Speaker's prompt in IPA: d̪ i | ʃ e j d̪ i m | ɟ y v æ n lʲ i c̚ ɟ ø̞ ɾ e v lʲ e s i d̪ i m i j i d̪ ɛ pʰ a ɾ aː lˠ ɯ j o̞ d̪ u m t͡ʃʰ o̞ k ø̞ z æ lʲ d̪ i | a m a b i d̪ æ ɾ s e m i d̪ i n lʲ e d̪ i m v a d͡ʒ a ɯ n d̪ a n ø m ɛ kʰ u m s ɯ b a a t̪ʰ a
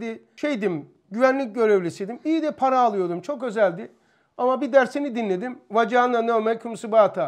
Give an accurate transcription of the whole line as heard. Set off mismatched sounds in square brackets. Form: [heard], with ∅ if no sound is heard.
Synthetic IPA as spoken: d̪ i | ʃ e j d̪ i m | ɟ y v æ n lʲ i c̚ ɟ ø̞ ɾ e v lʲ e s i d̪ i m i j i d̪ ɛ pʰ a ɾ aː lˠ ɯ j o̞ d̪ u m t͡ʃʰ o̞ k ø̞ z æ lʲ d̪ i | a m a b i d̪ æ ɾ s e [n] i d̪ i n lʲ e d̪ i m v a d͡ʒ a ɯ n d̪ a n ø m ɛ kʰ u m s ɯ b a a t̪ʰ a